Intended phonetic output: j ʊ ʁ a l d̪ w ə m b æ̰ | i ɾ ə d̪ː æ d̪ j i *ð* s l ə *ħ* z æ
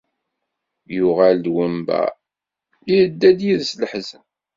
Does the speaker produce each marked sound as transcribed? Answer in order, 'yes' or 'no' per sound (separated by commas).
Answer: yes, yes